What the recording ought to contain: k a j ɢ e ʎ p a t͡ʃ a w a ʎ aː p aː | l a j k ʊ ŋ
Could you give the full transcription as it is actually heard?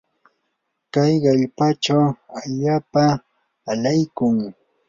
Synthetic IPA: k a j ɢ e ʎ p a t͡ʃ a w a ʎ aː p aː | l a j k ʊ ŋ